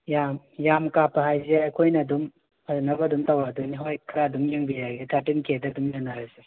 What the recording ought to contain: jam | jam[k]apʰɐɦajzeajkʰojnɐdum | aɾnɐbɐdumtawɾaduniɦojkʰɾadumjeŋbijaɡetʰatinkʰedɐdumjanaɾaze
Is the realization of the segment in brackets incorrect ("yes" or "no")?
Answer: no